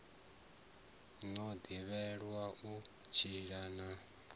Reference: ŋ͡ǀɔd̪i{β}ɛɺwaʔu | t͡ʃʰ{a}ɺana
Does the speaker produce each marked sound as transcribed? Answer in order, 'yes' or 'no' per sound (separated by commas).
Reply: yes, no